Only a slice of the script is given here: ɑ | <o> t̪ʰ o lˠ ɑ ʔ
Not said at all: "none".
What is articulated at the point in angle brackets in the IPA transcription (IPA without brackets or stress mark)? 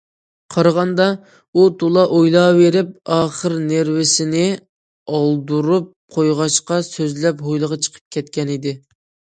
u